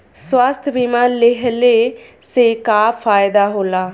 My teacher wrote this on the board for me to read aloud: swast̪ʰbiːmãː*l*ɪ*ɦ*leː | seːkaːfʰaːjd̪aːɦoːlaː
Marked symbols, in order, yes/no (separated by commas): yes, yes